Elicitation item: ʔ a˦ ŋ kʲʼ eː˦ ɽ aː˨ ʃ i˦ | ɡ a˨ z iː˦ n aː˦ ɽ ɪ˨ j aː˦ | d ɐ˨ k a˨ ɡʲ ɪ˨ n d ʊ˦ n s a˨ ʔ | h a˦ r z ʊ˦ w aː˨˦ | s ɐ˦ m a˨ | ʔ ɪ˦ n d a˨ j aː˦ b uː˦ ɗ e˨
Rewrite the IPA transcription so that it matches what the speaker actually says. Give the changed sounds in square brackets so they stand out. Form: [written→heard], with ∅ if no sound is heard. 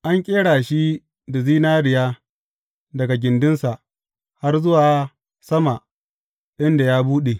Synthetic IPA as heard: ʔ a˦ ŋ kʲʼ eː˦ ɽ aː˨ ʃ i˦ | [ɡ→d] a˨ z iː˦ n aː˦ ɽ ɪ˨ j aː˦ | d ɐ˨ [k→ɡ] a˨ ɡʲ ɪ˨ n d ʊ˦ n s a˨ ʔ | h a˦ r z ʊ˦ w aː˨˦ | s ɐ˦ m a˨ | ʔ ɪ˦ n d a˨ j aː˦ b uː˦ ɗ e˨